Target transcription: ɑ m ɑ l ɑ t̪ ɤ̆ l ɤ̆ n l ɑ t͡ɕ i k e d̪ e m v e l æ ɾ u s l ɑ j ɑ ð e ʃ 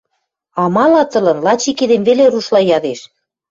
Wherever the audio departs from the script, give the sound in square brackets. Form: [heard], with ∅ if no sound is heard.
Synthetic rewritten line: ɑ m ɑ l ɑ t̪ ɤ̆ l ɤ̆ n l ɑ t͡ɕ i k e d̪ e m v e l [e] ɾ u [ʃ] l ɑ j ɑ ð e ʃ